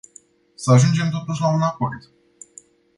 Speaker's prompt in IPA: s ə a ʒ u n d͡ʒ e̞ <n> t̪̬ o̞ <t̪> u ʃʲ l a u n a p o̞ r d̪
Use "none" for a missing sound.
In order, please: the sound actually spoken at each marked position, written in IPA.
m, t̪

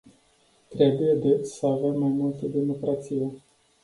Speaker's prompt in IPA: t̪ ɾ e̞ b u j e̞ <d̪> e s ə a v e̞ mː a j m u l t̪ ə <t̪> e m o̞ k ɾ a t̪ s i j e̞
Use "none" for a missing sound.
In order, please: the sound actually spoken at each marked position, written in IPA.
d̪, d̪

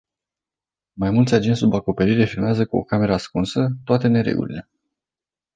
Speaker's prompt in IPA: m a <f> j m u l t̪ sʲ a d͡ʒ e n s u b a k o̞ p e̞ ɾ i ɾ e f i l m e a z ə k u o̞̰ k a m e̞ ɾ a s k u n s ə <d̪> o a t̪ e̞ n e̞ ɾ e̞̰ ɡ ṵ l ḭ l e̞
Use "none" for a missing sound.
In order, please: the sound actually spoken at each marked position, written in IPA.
none, t̪

